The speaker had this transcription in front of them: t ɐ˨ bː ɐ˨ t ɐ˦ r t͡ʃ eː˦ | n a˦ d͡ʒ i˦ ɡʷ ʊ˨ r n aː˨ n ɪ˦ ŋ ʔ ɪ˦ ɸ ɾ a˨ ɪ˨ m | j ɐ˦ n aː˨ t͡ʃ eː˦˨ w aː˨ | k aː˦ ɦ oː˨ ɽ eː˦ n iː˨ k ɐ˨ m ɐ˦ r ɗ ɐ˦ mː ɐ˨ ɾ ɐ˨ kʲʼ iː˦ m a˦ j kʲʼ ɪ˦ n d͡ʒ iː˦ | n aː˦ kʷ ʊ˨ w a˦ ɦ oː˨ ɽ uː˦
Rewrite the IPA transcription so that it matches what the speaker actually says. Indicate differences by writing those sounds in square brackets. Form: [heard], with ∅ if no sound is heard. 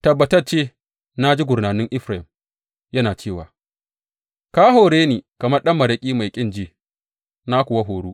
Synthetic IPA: t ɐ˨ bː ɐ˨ t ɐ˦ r t͡ʃ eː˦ | n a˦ d͡ʒ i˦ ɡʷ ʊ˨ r n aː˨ n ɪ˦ ŋ ʔ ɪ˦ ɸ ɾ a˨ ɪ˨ m | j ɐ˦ n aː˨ t͡ʃ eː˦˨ w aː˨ | k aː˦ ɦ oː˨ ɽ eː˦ n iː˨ k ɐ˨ m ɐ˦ r ɗ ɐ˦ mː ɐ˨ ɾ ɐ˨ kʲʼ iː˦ m [a˨] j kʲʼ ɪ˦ n d͡ʒ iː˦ | n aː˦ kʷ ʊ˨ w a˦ ɦ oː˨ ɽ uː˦